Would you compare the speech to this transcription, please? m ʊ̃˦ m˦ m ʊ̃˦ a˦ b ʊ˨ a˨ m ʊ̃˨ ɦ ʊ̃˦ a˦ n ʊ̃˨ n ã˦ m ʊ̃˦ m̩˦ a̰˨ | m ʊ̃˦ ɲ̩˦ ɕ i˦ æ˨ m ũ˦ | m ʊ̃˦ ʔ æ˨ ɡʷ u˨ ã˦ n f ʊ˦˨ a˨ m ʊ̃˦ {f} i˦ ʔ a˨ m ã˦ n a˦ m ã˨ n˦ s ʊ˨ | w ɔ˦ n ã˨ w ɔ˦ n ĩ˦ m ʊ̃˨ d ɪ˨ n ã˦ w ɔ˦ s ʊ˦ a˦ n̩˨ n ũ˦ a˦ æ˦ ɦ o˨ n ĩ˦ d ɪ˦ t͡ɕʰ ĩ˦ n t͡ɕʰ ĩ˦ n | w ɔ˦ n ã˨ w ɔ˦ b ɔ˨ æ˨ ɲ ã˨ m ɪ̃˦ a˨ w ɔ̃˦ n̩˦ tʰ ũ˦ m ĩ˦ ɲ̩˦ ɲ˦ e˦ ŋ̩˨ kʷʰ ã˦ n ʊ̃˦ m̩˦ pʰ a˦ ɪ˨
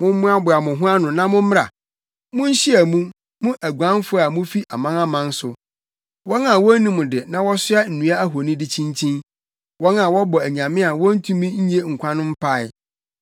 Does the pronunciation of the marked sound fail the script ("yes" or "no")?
no